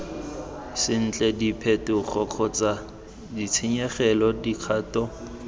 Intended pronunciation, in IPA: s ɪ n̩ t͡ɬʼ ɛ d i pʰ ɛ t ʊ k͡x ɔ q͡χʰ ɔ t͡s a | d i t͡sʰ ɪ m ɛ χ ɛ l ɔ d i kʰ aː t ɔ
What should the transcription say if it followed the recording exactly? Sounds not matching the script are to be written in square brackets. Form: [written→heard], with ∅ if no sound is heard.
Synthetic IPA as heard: s ɪ n̩ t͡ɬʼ ɛ d i pʰ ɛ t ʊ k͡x ɔ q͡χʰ ɔ t͡s a | d i t͡sʰ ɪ [m→ɲ] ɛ χ ɛ l ɔ d i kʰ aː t ɔ